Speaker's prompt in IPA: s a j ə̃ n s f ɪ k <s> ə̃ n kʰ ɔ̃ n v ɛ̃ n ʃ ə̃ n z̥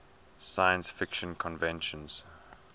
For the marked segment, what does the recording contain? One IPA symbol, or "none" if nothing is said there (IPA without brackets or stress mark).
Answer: ʃ